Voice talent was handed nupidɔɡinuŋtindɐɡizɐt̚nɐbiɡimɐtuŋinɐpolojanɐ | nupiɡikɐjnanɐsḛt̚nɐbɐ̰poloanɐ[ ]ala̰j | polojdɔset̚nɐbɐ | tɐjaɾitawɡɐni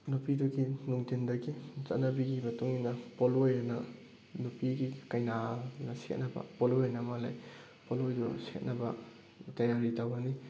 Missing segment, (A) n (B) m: B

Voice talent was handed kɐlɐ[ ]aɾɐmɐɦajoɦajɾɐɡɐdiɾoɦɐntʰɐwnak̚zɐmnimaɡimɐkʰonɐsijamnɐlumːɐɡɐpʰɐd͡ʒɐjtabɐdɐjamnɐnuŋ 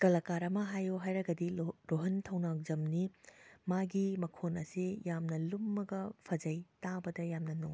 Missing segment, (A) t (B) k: B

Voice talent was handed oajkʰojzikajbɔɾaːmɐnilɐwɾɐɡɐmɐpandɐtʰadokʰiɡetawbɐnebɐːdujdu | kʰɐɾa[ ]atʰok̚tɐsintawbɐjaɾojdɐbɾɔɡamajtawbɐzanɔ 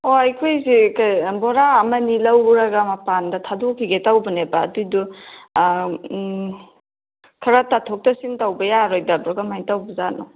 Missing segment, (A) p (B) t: B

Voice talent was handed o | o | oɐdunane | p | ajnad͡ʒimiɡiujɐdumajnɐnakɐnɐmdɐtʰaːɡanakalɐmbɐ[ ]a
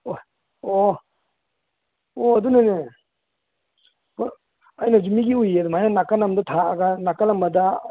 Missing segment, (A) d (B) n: A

